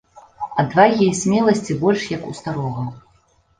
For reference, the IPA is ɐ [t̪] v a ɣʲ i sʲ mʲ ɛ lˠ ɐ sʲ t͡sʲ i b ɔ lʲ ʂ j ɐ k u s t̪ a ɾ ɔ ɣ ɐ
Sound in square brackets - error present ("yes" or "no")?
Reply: yes